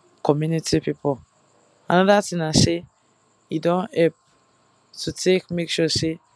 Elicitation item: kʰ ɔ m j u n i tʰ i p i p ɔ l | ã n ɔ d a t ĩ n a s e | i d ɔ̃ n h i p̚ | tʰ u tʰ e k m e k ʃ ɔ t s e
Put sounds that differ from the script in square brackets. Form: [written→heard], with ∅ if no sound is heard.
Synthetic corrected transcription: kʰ ɔ m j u n i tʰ i p i p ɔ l | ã n ɔ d a t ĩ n a s e | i d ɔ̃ n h [i→ɛ] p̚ | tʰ u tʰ e k m e k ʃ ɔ [t→∅] s e